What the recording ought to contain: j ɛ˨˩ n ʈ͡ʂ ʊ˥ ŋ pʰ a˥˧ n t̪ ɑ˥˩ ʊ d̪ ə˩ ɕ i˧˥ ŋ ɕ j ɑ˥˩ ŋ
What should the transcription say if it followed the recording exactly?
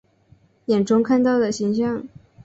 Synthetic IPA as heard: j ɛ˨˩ n ʈ͡ʂ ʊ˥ ŋ kʰ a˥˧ n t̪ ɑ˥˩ ʊ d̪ ə˩ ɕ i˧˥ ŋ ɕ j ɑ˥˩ ŋ